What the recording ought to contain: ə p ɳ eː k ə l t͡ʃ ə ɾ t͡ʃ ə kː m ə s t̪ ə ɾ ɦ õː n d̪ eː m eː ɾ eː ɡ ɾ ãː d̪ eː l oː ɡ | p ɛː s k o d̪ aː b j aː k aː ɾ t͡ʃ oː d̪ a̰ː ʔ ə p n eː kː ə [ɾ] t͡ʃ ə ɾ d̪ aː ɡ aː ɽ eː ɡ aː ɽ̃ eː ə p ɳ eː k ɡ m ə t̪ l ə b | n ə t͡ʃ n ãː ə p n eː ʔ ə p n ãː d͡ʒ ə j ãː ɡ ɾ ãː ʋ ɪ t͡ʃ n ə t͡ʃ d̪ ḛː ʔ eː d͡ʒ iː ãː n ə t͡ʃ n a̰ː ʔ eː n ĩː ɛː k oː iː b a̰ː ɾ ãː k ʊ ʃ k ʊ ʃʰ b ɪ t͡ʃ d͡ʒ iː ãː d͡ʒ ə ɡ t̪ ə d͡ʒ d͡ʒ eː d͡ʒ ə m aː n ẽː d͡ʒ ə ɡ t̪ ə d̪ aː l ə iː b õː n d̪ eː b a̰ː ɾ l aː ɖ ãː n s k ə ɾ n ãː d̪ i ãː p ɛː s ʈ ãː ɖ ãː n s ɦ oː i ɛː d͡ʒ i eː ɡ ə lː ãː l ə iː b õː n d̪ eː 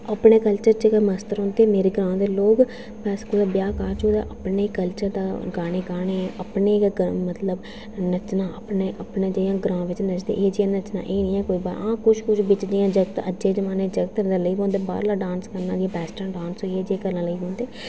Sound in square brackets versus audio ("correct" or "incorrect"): incorrect